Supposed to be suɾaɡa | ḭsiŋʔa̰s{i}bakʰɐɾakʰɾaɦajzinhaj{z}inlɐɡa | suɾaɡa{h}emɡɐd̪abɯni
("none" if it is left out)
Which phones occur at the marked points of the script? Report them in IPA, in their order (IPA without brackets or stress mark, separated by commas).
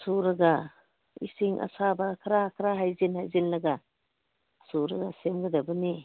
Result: a, z, s